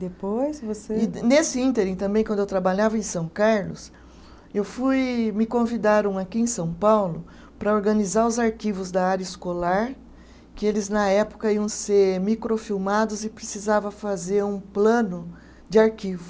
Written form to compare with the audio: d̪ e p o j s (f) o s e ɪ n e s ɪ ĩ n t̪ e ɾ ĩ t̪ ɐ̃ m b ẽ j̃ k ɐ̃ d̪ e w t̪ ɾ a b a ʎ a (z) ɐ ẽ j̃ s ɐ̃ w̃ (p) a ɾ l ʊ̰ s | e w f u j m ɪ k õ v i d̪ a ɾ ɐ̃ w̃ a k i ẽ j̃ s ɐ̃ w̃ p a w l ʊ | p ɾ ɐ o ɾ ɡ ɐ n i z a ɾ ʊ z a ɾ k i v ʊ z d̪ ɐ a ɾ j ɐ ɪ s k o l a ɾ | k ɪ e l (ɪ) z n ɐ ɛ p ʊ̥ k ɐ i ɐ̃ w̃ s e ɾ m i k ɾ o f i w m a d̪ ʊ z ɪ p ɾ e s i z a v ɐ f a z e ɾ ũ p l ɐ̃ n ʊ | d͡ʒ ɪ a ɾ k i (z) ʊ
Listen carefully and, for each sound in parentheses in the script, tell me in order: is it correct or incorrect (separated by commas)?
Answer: incorrect, incorrect, incorrect, correct, incorrect